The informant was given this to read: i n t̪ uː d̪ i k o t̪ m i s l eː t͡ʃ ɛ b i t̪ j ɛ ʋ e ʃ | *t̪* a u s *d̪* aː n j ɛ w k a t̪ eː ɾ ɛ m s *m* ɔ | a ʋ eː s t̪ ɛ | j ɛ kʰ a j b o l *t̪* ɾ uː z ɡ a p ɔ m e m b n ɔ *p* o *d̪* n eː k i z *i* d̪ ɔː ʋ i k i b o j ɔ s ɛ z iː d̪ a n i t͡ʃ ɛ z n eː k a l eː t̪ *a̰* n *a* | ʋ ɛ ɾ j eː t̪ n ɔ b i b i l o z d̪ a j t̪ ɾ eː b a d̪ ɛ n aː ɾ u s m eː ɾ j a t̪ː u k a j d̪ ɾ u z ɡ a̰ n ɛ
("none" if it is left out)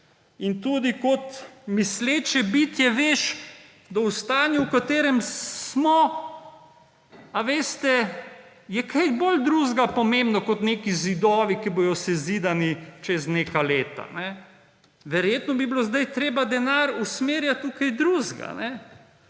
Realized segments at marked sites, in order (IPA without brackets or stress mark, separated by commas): d̪, t̪, m, d̪, k, t̪, i, a̰, ɛ